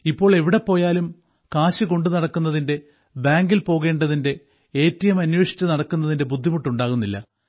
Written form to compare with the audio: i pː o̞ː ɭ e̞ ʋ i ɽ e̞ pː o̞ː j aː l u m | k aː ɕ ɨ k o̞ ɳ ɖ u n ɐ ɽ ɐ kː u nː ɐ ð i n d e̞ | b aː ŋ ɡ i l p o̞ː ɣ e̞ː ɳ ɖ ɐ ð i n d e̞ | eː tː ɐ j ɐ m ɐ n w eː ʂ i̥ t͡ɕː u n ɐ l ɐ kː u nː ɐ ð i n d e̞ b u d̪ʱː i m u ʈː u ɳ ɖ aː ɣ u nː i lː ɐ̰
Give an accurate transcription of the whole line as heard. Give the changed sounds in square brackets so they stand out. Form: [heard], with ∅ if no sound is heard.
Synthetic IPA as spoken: i pː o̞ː ɭ e̞ ʋ i ɽ e̞ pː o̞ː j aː l u m | k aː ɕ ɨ k o̞ ɳ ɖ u n ɐ ɽ ɐ kː u nː ɐ ð i n d e̞ | b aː ŋ ɡ i l p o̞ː ɣ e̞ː ɳ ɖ ɐ ð i n d e̞ | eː tː ɐ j ɐ m ɐ n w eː ʂ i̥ t͡ɕː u n ɐ [ɽ] ɐ kː u nː ɐ ð i n d e̞ b u d̪ʱː i m u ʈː u ɳ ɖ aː ɣ u nː i lː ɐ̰